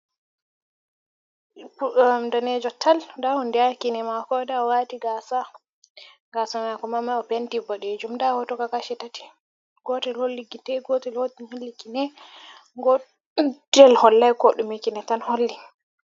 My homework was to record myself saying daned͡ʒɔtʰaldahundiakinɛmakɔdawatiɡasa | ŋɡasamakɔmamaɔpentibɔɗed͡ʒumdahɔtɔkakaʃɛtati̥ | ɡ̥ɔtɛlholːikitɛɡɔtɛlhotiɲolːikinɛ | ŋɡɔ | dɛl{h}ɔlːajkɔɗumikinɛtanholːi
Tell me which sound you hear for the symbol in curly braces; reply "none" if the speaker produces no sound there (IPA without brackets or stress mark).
h